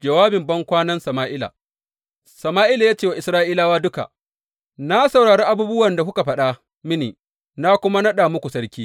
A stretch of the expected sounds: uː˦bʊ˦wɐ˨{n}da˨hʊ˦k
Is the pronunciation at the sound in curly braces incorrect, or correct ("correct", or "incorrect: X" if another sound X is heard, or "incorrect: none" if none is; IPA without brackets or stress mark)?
correct